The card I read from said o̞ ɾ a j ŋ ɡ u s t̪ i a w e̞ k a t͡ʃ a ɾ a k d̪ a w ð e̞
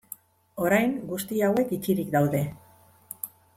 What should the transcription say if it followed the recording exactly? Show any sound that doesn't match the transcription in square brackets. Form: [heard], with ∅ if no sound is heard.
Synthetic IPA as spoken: o̞ ɾ a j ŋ ɡ u s t̪ i a w e̞ k [i] t͡ʃ [i] ɾ [i] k d̪ a w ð e̞